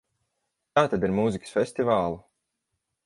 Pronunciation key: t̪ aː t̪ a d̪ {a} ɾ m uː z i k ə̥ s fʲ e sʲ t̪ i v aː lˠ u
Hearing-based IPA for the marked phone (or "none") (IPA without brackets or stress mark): i